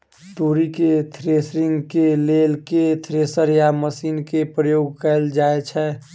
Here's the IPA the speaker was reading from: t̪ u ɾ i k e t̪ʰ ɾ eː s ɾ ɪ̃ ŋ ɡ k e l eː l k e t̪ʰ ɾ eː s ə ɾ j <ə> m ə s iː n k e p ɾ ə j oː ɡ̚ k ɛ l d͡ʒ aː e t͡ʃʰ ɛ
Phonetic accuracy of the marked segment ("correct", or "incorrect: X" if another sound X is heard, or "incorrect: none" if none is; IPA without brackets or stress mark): incorrect: a